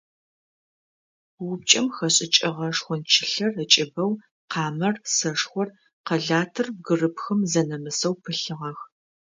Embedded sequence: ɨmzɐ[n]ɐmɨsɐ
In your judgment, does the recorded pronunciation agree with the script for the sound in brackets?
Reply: yes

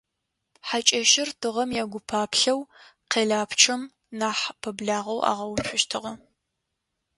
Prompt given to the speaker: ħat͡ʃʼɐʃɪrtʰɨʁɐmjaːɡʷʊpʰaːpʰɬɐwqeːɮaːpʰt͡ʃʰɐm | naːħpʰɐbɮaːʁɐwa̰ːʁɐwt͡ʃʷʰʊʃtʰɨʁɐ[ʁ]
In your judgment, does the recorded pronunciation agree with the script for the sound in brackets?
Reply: no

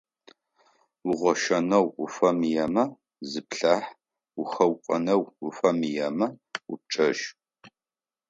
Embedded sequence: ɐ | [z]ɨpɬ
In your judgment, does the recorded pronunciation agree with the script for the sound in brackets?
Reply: yes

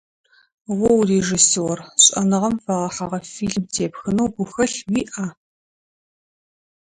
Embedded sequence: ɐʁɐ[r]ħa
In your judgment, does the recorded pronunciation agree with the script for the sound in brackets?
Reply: no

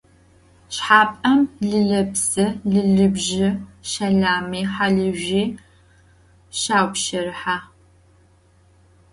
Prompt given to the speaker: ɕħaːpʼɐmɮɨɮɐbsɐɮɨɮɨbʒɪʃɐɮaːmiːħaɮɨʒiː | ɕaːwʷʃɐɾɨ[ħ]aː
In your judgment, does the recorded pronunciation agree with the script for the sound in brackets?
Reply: yes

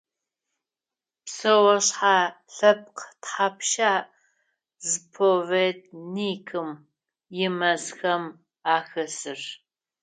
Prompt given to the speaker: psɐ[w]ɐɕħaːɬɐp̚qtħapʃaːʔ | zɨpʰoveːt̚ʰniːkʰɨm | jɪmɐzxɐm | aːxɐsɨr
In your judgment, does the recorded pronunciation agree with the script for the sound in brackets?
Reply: yes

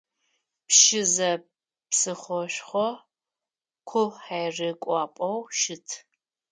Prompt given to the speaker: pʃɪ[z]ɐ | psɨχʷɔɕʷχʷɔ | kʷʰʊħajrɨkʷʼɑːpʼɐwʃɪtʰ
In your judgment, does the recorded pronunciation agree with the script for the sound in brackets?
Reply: yes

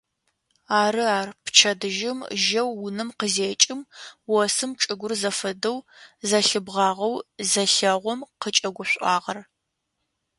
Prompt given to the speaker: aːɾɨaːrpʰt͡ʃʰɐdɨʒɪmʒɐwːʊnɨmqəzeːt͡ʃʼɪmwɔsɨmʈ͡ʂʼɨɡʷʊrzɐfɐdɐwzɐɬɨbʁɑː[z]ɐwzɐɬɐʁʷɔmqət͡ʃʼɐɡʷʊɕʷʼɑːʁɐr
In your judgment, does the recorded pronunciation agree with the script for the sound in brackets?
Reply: no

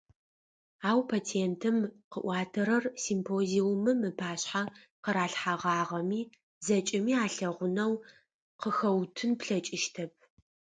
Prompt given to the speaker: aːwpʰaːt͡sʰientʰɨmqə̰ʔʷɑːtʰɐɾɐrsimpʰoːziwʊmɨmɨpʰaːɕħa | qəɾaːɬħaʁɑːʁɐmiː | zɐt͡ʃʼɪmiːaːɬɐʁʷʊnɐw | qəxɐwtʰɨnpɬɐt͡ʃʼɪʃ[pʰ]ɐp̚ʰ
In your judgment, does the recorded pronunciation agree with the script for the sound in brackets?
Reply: no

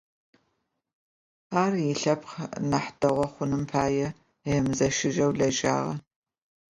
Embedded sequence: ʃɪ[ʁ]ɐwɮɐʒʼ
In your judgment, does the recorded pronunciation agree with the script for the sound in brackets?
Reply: no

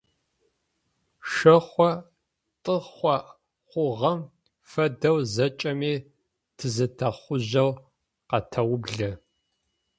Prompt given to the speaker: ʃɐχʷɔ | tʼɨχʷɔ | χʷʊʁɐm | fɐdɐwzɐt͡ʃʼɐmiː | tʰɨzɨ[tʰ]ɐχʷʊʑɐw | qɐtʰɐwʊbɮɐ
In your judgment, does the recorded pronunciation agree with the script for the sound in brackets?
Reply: yes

